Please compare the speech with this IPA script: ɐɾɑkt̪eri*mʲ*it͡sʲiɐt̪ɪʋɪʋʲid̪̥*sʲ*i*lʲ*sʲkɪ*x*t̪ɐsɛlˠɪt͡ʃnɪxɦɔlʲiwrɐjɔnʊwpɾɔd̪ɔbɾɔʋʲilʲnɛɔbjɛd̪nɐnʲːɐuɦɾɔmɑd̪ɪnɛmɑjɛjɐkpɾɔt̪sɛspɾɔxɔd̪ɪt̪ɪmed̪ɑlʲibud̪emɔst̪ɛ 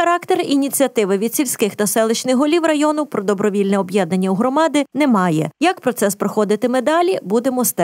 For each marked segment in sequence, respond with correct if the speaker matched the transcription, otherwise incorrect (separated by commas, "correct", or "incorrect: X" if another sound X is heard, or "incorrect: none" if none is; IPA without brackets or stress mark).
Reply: incorrect: nʲ, correct, correct, correct